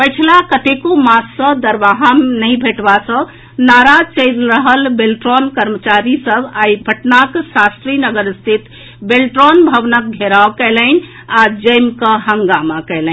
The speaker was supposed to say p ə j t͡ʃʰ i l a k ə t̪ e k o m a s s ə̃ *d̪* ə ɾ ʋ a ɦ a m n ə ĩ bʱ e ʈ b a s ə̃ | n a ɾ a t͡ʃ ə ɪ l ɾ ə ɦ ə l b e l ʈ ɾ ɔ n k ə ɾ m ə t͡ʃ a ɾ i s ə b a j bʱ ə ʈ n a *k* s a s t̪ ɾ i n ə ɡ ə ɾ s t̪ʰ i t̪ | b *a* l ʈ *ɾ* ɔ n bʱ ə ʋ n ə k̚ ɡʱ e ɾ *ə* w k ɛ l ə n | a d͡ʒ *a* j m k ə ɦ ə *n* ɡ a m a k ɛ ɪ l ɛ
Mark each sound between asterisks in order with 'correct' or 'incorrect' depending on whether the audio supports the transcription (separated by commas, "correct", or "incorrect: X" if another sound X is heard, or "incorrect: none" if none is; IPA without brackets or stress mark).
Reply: correct, correct, incorrect: e, correct, incorrect: a, incorrect: ə, incorrect: ŋ